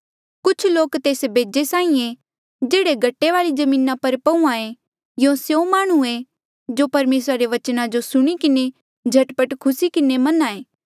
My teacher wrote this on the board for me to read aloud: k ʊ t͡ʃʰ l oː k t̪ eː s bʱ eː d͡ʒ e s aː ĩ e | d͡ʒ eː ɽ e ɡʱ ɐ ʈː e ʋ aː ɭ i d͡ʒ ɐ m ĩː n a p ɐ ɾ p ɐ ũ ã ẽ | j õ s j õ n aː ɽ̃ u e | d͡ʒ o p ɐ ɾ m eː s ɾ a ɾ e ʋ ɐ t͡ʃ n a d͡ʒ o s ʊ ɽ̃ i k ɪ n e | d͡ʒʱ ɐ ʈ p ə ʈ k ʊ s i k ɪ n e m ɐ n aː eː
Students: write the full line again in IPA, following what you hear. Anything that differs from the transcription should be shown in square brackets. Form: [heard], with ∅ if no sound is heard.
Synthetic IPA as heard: k ʊ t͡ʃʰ l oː k t̪ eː s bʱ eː d͡ʒ e s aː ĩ e | d͡ʒ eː ɽ e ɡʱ ɐ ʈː e ʋ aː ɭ i d͡ʒ ɐ m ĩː n a p ɐ ɾ p ɐ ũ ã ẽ | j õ s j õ [m] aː ɽ̃ u e | d͡ʒ o p ɐ ɾ m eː s ɾ a ɾ e ʋ ɐ t͡ʃ n a d͡ʒ o s ʊ ɽ̃ i k ɪ n e | d͡ʒʱ ɐ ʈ p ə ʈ [kʰ] ʊ s i k ɪ n e m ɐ n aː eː